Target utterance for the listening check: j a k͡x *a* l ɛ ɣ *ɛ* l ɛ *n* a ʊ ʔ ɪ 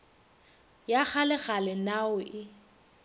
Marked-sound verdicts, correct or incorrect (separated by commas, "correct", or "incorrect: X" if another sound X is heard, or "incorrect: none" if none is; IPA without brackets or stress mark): correct, incorrect: a, correct